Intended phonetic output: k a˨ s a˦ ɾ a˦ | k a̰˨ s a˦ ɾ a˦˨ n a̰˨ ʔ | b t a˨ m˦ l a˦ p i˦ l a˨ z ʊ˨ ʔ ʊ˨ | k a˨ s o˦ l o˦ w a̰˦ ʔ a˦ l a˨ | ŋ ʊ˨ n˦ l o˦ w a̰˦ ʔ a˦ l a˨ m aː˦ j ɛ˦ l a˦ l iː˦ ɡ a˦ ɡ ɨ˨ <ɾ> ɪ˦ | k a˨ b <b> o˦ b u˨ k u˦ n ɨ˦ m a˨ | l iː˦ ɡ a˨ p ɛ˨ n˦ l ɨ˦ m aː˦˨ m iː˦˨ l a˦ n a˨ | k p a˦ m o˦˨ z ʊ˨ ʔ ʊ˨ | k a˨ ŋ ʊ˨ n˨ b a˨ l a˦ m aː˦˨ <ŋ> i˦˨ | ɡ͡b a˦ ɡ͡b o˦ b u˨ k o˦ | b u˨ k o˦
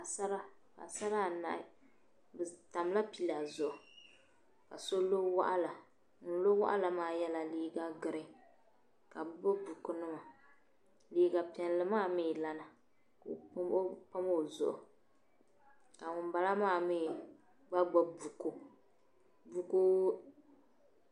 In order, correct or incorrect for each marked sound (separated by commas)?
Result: correct, correct, incorrect